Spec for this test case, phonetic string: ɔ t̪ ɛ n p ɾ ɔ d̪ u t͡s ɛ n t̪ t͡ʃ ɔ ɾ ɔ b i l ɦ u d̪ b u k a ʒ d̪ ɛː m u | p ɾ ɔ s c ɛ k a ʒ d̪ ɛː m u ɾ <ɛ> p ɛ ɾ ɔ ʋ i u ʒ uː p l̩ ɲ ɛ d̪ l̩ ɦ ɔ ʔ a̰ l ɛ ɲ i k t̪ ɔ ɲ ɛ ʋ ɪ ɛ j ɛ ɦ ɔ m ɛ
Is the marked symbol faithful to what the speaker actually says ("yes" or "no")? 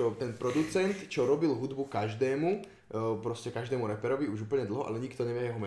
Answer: yes